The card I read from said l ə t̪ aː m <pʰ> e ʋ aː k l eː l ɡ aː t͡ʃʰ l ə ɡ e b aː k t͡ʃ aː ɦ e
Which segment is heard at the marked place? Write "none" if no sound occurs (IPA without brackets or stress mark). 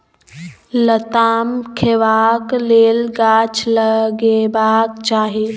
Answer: kʰ